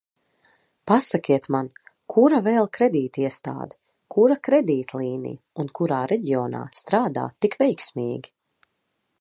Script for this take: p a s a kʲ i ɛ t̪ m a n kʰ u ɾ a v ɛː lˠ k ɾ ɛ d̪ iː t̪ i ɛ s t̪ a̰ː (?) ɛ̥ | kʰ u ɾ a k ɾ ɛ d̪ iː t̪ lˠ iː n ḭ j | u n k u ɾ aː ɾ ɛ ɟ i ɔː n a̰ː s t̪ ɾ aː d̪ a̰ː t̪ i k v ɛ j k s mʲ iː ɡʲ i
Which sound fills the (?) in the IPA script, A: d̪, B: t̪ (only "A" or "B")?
A